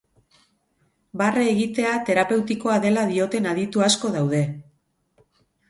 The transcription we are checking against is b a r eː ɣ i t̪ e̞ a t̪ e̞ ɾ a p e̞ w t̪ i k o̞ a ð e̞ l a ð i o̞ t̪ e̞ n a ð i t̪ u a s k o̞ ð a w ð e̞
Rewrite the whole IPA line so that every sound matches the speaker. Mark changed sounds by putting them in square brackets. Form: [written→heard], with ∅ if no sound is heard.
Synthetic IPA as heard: b a r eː ɣ i t̪ e̞ a t̪ e̞ ɾ a p e̞ w t̪ i k o̞ a ð e̞ l a ð i o̞ t̪ e̞ n a ð i t̪ u a s k o̞ ð a w ð e̞